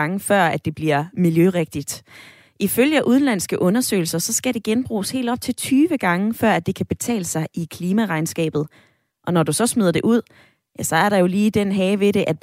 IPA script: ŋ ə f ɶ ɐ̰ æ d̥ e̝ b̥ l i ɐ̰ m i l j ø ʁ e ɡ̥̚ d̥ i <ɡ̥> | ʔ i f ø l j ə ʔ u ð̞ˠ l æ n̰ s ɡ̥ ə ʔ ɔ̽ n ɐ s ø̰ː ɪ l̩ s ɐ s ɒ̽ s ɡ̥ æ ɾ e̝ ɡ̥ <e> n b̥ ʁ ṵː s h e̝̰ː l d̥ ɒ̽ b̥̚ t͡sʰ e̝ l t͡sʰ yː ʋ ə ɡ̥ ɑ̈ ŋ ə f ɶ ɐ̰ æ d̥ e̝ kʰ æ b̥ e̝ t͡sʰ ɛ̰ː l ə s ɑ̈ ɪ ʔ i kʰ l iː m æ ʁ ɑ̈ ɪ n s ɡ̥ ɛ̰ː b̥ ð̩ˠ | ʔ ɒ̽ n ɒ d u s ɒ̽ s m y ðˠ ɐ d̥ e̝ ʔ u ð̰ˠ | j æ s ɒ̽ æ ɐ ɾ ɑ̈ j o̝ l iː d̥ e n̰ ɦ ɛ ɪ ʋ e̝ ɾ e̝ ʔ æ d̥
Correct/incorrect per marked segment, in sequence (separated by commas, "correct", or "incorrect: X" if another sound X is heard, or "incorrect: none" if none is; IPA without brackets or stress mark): incorrect: d̥, correct